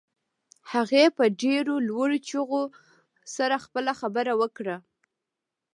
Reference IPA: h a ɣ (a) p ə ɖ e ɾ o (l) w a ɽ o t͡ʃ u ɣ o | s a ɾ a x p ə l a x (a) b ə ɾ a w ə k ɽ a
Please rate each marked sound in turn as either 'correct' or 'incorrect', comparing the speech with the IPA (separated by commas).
incorrect, correct, correct